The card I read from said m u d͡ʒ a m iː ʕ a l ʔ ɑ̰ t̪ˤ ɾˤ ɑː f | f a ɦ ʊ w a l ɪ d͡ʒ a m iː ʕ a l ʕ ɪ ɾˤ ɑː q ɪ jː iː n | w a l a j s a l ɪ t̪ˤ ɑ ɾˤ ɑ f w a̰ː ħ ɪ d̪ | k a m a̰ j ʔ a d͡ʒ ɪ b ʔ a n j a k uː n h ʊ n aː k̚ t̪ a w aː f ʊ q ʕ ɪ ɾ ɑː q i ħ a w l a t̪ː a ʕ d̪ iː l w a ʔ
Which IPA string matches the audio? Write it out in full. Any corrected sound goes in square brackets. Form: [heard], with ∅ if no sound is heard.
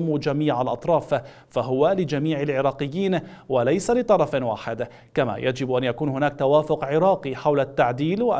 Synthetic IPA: m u d͡ʒ a m iː ʕ a l ʔ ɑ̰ t̪ˤ ɾˤ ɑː f | f a ɦ ʊ w a l ɪ d͡ʒ a m iː ʕ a l ʕ ɪ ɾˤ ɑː q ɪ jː iː n | w a l a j s a l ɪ t̪ˤ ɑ ɾˤ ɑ f w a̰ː ħ ɪ d̪ | k a m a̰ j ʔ a d͡ʒ ɪ b ʔ a n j a k uː n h ʊ n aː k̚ t̪ a w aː f ʊ q ʕ ɪ ɾ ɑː q i ħ a w l a t̪ː a ʕ d̪ iː l w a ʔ

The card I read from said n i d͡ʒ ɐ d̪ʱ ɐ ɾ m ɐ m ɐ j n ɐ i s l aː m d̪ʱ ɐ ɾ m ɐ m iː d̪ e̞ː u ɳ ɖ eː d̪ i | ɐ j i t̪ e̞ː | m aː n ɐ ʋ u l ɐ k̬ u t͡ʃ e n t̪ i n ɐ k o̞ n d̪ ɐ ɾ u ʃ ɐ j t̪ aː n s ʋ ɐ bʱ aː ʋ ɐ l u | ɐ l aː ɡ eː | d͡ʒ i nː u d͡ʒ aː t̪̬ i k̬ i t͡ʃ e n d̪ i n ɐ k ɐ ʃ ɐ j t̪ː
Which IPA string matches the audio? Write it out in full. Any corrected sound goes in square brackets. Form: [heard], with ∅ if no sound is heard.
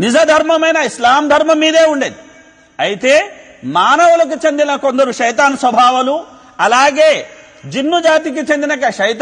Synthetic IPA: n i d͡ʒ ɐ d̪ʱ ɐ ɾ m ɐ m ɐ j n ɐ i s l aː m d̪ʱ ɐ ɾ m ɐ m iː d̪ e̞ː u ɳ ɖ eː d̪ i | ɐ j i t̪ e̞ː | m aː n ɐ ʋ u l ɐ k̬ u t͡ʃ e n [d̪] i n ɐ k o̞ n d̪ ɐ ɾ u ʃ ɐ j t̪ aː n s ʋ ɐ bʱ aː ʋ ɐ l u | ɐ l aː ɡ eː | d͡ʒ i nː u d͡ʒ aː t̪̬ i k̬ i t͡ʃ e n d̪ i n ɐ k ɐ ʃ ɐ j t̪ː

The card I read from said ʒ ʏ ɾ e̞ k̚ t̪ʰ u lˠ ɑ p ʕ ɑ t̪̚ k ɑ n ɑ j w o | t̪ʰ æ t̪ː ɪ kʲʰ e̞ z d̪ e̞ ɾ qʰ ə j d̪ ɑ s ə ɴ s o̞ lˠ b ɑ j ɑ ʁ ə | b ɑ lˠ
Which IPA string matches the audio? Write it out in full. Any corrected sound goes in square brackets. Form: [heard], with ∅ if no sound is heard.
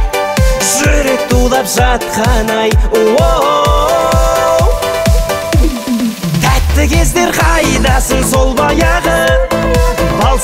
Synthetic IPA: ʒ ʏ ɾ e̞ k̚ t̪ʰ u lˠ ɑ p [ʒ] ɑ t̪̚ [q] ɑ n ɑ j w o | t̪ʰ æ t̪ː ɪ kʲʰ e̞ z d̪ e̞ ɾ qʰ [ɑ] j d̪ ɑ s ə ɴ s o̞ lˠ b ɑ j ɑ ʁ ə | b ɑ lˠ

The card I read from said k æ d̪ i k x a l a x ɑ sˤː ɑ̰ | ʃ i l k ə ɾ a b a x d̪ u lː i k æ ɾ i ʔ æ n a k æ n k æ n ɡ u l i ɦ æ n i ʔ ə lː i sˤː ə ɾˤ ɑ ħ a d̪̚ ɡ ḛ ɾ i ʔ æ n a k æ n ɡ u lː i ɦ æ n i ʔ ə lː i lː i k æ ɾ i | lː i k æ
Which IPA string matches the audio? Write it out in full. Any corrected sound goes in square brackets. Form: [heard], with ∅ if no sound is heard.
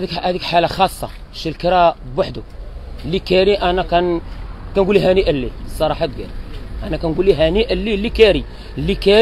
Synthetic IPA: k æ d̪ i k [ħ] a l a x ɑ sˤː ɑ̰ | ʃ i l k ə ɾ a b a [ħ] d̪ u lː i k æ ɾ i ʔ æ n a k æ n k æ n ɡ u l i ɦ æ n i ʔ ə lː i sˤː [ɑ] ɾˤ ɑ ħ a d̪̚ ɡ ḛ ɾ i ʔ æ n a k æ n ɡ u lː i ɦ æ n i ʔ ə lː i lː i k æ ɾ i | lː i k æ

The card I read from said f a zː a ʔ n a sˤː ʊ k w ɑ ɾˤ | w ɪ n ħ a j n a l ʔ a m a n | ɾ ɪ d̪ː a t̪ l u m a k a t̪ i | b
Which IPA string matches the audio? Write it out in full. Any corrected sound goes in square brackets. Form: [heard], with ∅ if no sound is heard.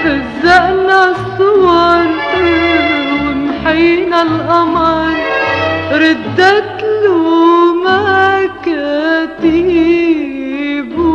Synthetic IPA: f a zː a ʔ n a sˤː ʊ [∅] w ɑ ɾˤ | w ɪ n ħ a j n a l ʔ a m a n | ɾ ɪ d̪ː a t̪ l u m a k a t̪ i | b

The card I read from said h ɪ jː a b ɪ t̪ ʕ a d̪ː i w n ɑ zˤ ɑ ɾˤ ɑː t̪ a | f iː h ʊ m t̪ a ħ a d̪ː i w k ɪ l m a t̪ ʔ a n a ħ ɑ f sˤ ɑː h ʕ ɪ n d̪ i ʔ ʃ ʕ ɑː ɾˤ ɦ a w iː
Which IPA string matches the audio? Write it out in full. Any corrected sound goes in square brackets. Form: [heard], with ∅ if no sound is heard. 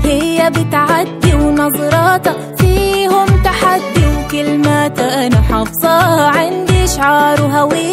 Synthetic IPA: h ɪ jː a b ɪ t̪ ʕ a d̪ː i w n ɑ zˤ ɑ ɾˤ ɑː t̪ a | f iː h ʊ m t̪ a ħ a d̪ː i w k ɪ l m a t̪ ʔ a n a ħ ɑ f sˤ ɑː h ʕ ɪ n d̪ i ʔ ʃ ʕ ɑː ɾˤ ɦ a w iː

